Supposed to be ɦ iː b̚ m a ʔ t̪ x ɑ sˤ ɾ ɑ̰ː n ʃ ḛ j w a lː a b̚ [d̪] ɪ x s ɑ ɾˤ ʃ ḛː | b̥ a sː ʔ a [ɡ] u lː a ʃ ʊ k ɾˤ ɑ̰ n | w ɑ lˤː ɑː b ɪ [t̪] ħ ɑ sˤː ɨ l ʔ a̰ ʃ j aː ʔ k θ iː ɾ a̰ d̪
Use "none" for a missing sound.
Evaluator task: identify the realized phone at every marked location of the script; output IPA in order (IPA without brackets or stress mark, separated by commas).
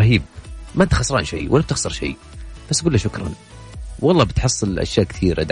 t̪, ɡ, t̪